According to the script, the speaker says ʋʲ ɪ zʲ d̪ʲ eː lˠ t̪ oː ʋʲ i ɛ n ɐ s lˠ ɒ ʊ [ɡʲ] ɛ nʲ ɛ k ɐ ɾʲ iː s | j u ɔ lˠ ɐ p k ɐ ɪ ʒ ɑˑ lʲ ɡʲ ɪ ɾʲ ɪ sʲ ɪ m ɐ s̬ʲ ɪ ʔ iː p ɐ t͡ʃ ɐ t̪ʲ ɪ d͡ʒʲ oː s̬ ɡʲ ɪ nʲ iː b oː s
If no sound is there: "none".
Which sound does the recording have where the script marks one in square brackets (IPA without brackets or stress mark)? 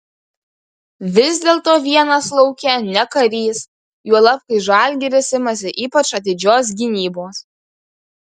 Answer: kʲ